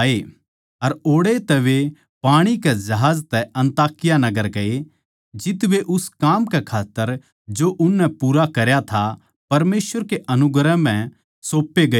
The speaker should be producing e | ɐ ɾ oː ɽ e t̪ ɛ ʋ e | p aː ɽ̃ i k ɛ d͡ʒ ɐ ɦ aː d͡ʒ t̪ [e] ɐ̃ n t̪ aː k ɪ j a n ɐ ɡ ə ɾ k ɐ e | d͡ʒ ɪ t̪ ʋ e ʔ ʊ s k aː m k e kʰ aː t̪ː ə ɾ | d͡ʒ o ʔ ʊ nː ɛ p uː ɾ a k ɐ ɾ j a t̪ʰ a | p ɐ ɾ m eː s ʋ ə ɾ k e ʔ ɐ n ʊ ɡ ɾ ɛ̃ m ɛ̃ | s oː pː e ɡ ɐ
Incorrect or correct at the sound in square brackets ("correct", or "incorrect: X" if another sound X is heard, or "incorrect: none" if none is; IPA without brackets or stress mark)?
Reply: incorrect: ɛ